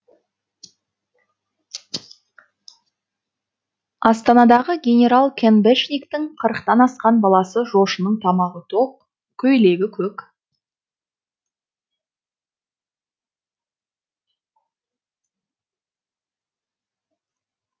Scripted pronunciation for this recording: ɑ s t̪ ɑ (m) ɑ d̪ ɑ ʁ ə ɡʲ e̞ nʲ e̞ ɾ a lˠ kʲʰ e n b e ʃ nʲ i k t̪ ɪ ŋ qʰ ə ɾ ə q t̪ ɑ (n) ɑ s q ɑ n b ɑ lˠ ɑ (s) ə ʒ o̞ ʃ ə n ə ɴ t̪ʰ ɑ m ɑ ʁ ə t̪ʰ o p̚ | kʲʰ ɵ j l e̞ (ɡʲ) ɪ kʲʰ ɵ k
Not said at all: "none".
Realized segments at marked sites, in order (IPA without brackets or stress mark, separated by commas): n, n, s, ɡʲ